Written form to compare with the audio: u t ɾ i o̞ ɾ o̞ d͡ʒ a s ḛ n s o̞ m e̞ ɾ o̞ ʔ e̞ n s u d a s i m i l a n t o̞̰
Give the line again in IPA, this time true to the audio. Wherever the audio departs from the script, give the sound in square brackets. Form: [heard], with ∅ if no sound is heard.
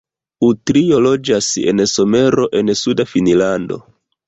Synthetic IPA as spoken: u t ɾ i o̞ [l] o̞ d͡ʒ a s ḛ n s o̞ m e̞ ɾ o̞ ʔ e̞ n s u d a [f] i [n] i l a n [d] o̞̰